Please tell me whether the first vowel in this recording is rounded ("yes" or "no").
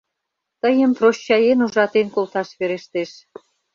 no